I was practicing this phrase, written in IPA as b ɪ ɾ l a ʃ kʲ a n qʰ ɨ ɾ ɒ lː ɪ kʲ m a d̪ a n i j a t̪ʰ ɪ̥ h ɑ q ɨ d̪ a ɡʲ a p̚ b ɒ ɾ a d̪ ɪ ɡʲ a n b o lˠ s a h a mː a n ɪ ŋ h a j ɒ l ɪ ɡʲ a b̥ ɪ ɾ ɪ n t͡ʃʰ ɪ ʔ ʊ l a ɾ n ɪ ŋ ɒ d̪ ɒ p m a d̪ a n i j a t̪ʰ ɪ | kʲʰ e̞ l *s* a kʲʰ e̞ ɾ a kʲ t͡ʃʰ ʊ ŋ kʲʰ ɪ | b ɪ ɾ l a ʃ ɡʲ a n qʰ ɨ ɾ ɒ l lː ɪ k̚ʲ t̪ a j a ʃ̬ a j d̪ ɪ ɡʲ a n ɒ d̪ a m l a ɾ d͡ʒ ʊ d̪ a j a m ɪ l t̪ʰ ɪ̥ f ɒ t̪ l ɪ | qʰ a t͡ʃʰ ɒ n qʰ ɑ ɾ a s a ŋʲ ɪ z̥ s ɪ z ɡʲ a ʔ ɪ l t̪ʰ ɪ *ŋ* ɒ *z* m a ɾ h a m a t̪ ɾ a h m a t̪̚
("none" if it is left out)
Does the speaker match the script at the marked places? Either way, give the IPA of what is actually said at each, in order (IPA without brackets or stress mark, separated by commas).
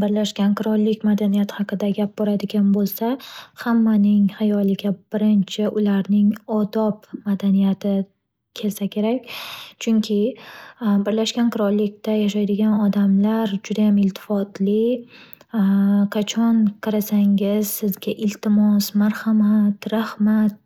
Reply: s, m, s